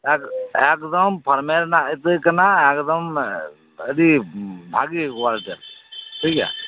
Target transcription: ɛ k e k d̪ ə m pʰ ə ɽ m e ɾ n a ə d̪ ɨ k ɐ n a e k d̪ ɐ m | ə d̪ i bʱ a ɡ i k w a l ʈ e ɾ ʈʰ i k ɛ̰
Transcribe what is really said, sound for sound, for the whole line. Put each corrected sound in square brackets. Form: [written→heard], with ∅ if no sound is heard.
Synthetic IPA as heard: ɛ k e k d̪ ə m pʰ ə [ɽ→ɾ] m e ɾ n a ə [d̪→t̪] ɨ k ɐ n a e k d̪ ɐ m | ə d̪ i bʱ a ɡ i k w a l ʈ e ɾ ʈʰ i k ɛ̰